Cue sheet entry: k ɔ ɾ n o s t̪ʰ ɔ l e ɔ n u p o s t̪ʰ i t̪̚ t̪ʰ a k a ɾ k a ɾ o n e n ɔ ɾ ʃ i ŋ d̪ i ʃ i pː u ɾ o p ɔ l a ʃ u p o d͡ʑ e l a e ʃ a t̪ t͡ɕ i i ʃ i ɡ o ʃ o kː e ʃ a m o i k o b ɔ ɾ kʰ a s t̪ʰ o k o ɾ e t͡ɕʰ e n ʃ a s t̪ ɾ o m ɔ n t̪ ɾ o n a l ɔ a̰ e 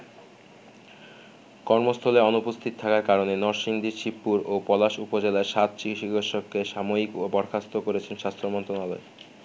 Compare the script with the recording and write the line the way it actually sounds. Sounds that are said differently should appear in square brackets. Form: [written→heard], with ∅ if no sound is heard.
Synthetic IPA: k ɔ ɾ [n→m] o s t̪ʰ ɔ l e ɔ n u p o s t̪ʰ i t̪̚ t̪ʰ a k a ɾ k a ɾ o n e n ɔ ɾ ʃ i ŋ d̪ i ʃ i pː u ɾ o p ɔ l a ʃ u p o d͡ʑ e l a e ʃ a t̪ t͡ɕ i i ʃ i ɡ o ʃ o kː e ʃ a m o i k o b ɔ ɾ kʰ a s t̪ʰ o k o ɾ e t͡ɕʰ e n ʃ a s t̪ ɾ o m ɔ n t̪ ɾ o n a l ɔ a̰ e